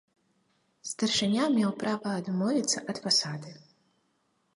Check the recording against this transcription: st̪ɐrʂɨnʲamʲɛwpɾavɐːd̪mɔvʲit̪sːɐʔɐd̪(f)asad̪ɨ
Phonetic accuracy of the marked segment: correct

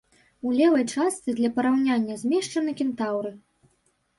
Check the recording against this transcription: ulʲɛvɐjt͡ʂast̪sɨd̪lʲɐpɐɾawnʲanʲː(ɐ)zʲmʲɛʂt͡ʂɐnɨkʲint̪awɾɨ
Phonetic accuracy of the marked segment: correct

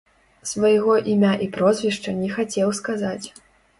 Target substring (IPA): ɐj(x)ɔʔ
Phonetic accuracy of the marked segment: incorrect: ɣ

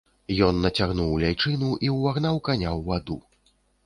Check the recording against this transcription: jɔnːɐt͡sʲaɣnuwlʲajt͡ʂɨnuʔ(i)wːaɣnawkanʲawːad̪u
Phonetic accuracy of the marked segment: correct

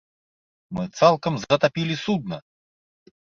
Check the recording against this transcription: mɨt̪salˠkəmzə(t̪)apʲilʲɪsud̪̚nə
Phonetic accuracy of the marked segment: correct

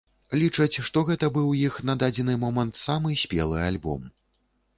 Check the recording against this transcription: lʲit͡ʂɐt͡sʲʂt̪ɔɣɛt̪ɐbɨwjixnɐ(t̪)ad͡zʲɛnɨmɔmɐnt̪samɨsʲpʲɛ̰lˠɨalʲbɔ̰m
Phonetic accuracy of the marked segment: incorrect: d̪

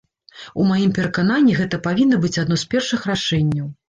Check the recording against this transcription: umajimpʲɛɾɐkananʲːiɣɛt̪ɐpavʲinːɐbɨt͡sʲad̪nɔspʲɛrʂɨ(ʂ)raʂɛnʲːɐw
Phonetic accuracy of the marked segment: incorrect: x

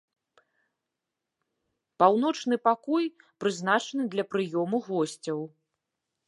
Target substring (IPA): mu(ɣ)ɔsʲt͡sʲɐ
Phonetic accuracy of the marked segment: correct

